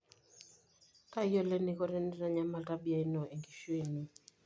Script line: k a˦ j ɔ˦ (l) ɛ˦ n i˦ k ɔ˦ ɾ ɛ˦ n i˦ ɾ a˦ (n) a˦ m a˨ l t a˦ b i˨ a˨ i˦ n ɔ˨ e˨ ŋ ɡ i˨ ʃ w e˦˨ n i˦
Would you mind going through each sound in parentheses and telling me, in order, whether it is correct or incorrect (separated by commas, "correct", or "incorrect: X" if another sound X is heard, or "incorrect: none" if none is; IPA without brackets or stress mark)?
correct, incorrect: ɲ